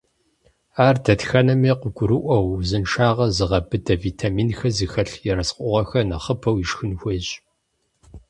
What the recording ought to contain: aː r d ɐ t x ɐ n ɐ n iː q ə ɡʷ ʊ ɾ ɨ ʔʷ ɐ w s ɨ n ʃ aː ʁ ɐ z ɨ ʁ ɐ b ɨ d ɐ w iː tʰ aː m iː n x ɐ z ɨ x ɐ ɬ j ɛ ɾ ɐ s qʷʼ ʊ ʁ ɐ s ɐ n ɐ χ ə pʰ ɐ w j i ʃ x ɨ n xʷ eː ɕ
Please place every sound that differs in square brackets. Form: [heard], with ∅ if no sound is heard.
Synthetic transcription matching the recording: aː r d ɐ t x ɐ n ɐ [m] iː q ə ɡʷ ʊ ɾ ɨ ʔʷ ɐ w [z] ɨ n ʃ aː ʁ ɐ z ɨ ʁ ɐ b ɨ d ɐ [v] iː tʰ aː m iː n x ɐ z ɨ x ɐ ɬ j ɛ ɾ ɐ s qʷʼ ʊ ʁ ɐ [x] ɐ n ɐ χ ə pʰ ɐ w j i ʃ x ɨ n xʷ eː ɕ